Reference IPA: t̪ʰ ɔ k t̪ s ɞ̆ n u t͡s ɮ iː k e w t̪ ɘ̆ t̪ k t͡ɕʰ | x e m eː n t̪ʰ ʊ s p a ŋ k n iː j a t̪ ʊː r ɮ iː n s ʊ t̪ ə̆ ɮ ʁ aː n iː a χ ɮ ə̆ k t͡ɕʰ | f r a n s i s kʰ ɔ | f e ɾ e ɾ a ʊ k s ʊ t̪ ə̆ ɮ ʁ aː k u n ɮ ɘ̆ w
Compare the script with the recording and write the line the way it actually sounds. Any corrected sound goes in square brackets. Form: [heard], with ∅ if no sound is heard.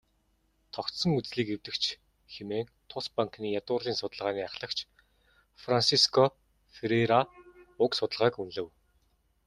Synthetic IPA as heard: t̪ʰ ɔ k t̪ s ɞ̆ [ŋ] u t͡s ɮ iː k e w t̪ ɘ̆ [∅] k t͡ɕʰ | x e m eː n t̪ʰ ʊ s p a ŋ k n iː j a t̪ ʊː r ɮ iː n s ʊ t̪ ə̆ ɮ ʁ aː n iː a χ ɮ ə̆ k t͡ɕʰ | f r a n s i s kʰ ɔ | f e ɾ e ɾ a ʊ k s ʊ t̪ ə̆ ɮ ʁ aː k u n ɮ ɘ̆ w

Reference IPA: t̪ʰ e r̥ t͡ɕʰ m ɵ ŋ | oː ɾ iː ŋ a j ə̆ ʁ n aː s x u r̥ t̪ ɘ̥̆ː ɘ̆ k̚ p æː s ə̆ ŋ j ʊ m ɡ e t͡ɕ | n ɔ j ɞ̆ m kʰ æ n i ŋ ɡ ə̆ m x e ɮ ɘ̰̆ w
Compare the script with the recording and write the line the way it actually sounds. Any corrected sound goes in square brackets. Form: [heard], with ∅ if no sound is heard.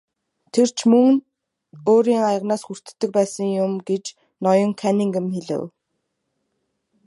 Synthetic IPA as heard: t̪ʰ e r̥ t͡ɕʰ m ɵ ŋ | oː ɾ iː ŋ a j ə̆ ʁ n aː s x u r̥ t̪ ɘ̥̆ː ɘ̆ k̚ p æː s ə̆ ŋ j ʊ m ɡ e t͡ɕ | n ɔ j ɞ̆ [ŋ] kʰ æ n i ŋ ɡ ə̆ m x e ɮ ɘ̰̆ w

